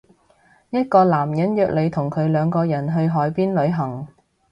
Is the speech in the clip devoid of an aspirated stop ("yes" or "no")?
no